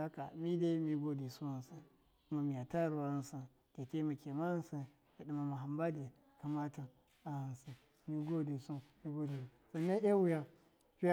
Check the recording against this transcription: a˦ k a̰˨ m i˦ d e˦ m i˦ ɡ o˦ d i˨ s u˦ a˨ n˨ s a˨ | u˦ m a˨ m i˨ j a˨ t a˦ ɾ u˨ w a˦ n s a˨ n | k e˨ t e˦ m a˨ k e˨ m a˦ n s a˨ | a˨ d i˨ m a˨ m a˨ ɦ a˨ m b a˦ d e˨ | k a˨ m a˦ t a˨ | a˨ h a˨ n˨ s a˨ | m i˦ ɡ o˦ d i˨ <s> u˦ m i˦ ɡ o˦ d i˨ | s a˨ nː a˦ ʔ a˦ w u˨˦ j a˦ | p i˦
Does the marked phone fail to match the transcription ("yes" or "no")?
no